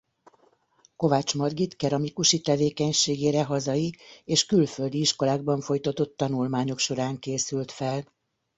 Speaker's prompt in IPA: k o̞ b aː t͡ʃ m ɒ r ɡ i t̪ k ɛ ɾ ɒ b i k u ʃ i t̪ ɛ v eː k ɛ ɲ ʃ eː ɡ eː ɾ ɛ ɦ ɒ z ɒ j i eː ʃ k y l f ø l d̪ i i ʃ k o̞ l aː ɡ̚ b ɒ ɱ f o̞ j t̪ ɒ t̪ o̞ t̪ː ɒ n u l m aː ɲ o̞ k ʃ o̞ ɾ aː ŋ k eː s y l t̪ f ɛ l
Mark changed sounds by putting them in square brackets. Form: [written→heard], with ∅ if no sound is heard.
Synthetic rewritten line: k o̞ [b→v] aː t͡ʃ m ɒ r ɡ i t̪ k ɛ ɾ ɒ [b→m] i k u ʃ i t̪ ɛ v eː k ɛ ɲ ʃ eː ɡ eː ɾ ɛ ɦ ɒ z ɒ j i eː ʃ k y l f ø l d̪ i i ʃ k o̞ l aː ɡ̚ b ɒ ɱ f o̞ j t̪ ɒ t̪ o̞ t̪ː ɒ n u l m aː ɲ o̞ k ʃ o̞ ɾ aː ŋ k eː s y l t̪ f ɛ l

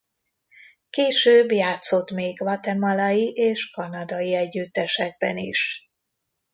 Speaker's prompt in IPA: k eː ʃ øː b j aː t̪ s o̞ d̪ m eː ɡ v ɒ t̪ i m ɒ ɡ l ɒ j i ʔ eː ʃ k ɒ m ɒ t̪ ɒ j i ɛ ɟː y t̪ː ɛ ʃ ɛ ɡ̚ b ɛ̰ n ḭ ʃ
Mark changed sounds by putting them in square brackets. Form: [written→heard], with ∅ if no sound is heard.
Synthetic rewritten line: k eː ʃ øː b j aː t̪ s o̞ [d̪→t̪] m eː ɡ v ɒ t̪ [i→ɛ] m ɒ [ɡ→∅] l ɒ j i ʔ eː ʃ k ɒ [m→n] ɒ [t̪→d̪] ɒ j i ɛ ɟː y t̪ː ɛ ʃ ɛ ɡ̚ b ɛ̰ n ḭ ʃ

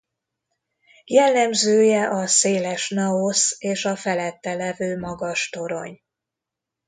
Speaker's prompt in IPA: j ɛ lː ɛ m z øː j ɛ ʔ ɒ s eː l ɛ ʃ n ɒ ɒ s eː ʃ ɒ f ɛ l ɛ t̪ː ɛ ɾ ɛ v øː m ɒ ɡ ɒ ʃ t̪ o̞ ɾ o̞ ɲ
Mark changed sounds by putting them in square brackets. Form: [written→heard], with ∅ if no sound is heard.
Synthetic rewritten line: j ɛ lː ɛ m z øː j ɛ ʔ ɒ s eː l ɛ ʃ n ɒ [ɒ→o] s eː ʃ ɒ f ɛ l ɛ t̪ː ɛ [ɾ→l] ɛ v øː m ɒ ɡ ɒ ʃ t̪ o̞ ɾ o̞ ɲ

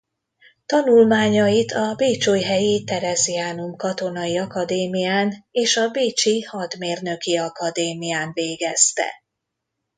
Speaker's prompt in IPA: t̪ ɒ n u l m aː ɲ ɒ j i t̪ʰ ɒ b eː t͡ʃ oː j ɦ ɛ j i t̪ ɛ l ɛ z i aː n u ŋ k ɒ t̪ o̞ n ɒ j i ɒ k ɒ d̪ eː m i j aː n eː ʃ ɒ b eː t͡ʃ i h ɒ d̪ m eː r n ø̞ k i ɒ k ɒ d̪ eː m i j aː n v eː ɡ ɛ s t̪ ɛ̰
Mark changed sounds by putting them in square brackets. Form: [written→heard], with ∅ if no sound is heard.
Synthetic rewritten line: t̪ ɒ n u l m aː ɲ ɒ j i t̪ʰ ɒ b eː t͡ʃ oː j ɦ ɛ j i t̪ ɛ [l→ɾ] ɛ z i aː n u [ŋ→m] k ɒ t̪ o̞ n ɒ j i ɒ k ɒ d̪ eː m i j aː n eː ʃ ɒ b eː t͡ʃ i h ɒ d̪ m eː r n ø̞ k i ɒ k ɒ d̪ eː m i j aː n v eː ɡ ɛ s t̪ ɛ̰

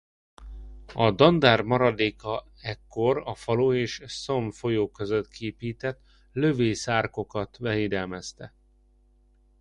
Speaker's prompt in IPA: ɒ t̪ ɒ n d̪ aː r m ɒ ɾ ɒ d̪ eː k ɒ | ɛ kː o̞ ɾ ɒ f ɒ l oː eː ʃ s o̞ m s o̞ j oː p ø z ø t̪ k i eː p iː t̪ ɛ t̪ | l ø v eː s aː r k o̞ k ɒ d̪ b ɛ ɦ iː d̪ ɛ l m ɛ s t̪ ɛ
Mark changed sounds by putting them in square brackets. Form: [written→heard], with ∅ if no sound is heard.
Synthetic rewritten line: ɒ [t̪→d̪] ɒ n d̪ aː r m ɒ ɾ ɒ d̪ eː k ɒ | ɛ kː o̞ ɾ ɒ f ɒ l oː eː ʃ s o̞ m [s→f] o̞ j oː [p→k] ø z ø t̪ k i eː p iː t̪ ɛ t̪ | l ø v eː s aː r k o̞ k ɒ [d̪→t̪] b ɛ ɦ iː d̪ ɛ l m ɛ s t̪ ɛ

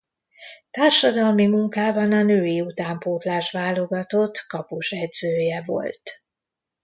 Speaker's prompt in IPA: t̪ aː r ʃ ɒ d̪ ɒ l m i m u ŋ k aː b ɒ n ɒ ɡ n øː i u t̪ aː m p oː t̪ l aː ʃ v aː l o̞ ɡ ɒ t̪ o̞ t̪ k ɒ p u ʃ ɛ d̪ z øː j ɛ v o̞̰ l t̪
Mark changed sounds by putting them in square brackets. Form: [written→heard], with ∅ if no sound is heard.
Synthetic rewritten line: t̪ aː r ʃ ɒ d̪ ɒ l m i m u ŋ k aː b ɒ n ɒ [ɡ→∅] n øː i u t̪ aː m p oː t̪ l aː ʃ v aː l o̞ ɡ ɒ t̪ o̞ t̪ k ɒ p u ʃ ɛ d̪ z øː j ɛ v o̞̰ l t̪

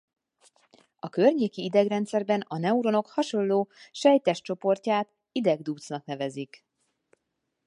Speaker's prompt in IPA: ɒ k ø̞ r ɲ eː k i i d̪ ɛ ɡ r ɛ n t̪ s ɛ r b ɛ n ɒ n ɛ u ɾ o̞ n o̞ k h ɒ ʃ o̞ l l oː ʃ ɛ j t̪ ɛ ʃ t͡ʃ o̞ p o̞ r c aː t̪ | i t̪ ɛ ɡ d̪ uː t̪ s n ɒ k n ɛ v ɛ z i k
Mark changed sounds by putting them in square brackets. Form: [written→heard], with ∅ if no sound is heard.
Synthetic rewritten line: ɒ k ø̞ r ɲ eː k i i d̪ ɛ ɡ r ɛ n t̪ s ɛ r b ɛ n ɒ n ɛ u ɾ o̞ n o̞ k h ɒ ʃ o̞ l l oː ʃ ɛ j t̪ ɛ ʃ t͡ʃ o̞ p o̞ r c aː t̪ | i [t̪→d̪] ɛ ɡ d̪ uː t̪ s n ɒ k n ɛ v ɛ z i k

